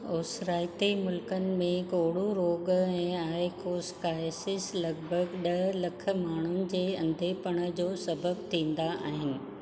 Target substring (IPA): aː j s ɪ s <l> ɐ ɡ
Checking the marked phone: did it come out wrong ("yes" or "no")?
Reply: no